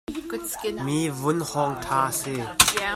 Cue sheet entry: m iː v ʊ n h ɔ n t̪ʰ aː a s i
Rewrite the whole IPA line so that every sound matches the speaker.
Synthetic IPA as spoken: m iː v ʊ n h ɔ ŋ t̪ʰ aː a s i